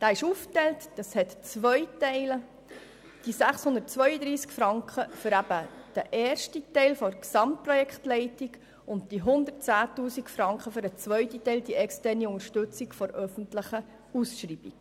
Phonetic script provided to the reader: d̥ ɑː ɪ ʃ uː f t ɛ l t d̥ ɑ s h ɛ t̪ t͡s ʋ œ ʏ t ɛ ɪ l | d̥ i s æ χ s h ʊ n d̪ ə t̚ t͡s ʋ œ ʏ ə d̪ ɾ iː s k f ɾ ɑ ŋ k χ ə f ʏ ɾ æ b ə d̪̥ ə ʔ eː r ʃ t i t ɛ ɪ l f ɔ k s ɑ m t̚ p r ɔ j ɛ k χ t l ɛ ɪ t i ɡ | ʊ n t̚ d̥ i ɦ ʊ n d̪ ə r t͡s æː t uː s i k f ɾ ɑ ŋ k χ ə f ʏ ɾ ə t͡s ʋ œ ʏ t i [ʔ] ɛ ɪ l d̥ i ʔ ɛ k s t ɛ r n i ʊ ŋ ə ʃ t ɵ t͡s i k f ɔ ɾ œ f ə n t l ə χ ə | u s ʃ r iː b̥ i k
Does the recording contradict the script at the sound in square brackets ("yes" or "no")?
yes